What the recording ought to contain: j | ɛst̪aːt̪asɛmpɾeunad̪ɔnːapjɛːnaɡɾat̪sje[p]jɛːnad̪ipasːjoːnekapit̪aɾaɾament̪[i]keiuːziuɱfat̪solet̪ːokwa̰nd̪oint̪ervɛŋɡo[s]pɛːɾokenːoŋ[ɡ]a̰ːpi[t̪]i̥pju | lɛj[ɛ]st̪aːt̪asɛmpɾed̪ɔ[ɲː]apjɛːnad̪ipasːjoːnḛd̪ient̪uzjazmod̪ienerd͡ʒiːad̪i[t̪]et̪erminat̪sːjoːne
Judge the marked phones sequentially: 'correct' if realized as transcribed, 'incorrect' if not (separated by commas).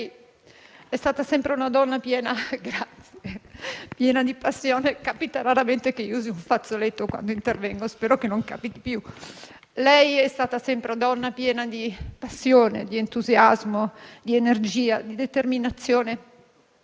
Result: correct, incorrect, correct, incorrect, correct, correct, incorrect, incorrect